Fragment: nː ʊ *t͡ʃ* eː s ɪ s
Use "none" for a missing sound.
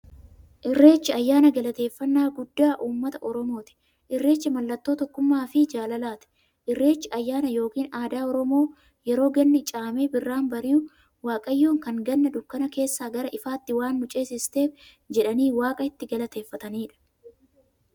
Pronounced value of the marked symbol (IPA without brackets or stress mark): t͡ʃʼ